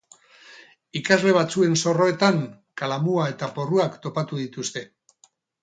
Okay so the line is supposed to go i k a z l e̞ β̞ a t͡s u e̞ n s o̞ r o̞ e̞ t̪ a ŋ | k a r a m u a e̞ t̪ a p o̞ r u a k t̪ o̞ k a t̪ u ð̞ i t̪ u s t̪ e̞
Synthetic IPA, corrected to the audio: i k a z l e̞ β̞ a t͡s u e̞ n s o̞ r o̞ e̞ t̪ a ŋ | k a l a m u a e̞ t̪ a p o̞ r u a k t̪ o̞ p a t̪ u ð̞ i t̪ u s t̪ e̞